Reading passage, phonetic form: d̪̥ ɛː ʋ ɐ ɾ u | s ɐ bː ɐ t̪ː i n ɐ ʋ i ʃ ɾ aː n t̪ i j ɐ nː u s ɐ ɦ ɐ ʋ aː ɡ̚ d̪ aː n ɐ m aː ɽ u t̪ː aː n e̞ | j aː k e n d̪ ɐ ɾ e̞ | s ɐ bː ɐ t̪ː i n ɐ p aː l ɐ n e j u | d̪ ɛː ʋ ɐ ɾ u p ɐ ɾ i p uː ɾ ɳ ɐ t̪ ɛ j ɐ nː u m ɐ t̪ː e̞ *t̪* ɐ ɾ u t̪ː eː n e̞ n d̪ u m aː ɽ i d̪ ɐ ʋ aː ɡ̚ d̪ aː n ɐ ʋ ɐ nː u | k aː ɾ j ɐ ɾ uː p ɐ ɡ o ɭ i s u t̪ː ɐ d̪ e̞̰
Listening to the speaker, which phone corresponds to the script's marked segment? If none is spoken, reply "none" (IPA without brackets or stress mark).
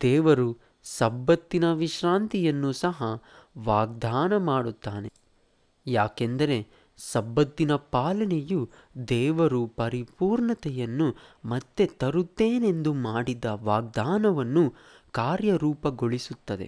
t̪